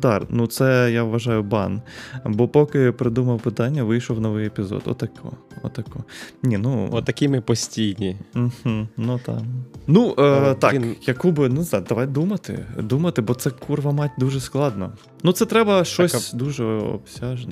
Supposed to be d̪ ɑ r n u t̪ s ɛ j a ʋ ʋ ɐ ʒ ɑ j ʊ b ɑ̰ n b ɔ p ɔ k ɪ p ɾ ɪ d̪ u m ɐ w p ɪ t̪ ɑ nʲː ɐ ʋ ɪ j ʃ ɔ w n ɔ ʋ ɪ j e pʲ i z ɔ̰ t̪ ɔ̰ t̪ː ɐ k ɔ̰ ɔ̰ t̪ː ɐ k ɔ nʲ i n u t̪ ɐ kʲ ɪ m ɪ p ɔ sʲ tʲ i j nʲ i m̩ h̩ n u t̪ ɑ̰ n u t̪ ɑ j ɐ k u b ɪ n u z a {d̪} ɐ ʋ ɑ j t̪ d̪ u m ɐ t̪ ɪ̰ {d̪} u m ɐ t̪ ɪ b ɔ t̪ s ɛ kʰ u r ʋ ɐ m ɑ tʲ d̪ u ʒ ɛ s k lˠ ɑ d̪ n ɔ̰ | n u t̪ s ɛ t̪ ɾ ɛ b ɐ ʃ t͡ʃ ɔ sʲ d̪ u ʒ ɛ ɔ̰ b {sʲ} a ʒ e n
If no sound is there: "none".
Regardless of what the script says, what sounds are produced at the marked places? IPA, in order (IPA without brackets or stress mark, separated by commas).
d̪, d̪, sʲ